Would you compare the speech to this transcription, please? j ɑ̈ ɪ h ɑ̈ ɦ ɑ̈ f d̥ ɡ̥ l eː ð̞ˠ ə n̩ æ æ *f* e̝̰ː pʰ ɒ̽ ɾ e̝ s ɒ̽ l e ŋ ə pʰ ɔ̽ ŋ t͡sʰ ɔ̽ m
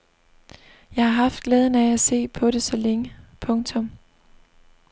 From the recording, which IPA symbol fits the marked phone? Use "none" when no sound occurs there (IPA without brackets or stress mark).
s